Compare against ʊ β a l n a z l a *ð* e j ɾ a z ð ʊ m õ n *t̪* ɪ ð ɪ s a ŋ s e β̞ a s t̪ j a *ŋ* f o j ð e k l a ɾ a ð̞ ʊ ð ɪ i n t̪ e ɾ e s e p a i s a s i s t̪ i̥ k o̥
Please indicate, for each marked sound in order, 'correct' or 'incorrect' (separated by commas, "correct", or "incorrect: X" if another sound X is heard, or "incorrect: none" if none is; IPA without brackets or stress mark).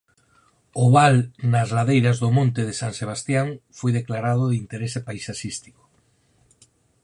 correct, correct, correct